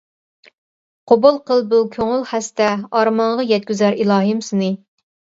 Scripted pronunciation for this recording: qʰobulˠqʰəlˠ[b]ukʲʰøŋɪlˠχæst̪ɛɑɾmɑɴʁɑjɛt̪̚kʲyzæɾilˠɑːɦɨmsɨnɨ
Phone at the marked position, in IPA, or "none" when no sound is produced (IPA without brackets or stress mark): b